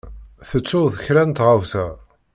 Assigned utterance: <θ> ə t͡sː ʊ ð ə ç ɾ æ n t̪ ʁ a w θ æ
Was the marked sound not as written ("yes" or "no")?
no